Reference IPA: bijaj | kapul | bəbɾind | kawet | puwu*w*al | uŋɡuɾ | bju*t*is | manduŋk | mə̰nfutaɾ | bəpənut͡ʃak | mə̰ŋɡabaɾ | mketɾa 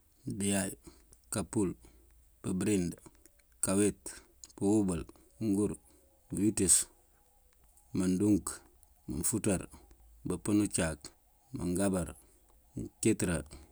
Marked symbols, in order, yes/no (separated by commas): no, yes